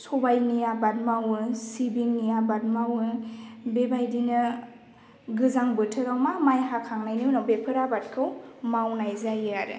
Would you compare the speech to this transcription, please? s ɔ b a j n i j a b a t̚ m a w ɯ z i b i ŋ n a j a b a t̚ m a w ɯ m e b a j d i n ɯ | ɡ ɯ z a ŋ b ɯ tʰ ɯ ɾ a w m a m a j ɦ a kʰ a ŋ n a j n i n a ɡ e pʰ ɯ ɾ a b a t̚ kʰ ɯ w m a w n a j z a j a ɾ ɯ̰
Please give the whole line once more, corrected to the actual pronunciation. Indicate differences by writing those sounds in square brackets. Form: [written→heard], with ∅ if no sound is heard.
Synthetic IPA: s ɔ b a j n i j a b a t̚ m a w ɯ [z→s] i b i ŋ n [a→i] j a b a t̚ m a w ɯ [m→b] e b a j d i n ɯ | ɡ ɯ z a ŋ b ɯ tʰ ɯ ɾ a w m a m a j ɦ a kʰ a ŋ n a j n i n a [ɡ→b] e pʰ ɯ ɾ a b a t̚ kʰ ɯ w m a w n a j z a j a ɾ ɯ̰